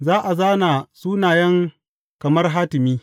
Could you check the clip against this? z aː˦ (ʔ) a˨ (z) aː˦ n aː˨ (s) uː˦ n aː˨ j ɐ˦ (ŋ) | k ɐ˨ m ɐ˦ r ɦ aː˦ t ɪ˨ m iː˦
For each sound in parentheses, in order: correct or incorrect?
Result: correct, correct, correct, correct

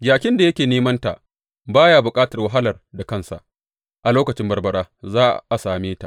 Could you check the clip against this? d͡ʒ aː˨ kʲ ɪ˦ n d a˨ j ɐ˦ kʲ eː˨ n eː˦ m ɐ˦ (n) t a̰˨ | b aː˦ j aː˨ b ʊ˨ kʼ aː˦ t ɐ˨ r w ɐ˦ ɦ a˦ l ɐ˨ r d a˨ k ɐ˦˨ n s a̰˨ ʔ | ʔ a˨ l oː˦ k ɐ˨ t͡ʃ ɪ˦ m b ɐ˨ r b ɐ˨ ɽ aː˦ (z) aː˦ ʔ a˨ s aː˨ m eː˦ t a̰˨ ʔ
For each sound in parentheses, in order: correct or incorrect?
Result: correct, correct

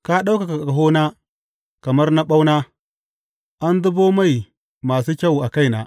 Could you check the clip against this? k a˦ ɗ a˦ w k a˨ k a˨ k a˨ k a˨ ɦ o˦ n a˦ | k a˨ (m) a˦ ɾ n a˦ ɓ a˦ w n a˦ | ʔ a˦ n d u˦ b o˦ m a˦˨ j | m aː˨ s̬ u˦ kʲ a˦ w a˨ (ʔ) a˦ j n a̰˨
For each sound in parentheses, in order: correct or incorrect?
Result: correct, incorrect: k

